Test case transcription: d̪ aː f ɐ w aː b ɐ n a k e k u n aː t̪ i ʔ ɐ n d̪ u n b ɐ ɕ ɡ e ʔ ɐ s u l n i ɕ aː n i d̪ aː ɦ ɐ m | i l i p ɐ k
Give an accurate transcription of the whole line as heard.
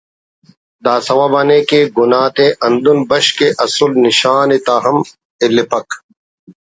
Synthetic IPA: d̪ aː s ɐ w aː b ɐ n e k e ɡ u n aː t̪ e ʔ ɐ n d̪ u n b ɐ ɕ k e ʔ ɐ s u l n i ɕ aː n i t̪ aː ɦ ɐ m | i l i p ɐ k